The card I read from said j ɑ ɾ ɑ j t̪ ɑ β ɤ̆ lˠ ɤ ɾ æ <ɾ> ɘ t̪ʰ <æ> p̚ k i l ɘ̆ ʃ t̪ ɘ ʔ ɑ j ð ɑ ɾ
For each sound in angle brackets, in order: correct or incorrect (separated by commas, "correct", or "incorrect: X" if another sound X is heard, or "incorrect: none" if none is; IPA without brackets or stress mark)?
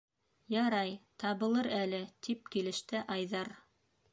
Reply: incorrect: l, incorrect: i